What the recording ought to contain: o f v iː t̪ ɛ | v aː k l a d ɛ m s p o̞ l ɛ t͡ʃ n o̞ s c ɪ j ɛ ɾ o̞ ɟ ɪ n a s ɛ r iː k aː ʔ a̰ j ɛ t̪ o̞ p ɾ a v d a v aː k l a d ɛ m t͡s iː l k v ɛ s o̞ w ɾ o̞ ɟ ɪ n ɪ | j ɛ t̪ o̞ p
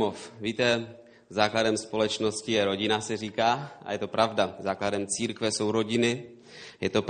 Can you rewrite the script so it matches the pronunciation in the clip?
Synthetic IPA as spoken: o f v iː t̪ ɛ | z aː k l a d ɛ m s p o̞ l ɛ t͡ʃ n o̞ s c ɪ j ɛ ɾ o̞ ɟ ɪ n a s ɛ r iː k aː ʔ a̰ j ɛ t̪ o̞ p ɾ a v d a z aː k l a d ɛ m t͡s iː ɾ k v ɛ s o̞ w ɾ o̞ ɟ ɪ n ɪ | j ɛ t̪ o̞ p